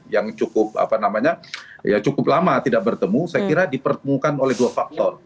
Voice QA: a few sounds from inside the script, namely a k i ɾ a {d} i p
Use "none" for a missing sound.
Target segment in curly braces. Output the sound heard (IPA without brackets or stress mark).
d